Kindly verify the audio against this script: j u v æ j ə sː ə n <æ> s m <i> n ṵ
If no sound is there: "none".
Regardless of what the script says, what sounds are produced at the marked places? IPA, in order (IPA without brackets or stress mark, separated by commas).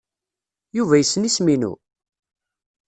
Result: i, i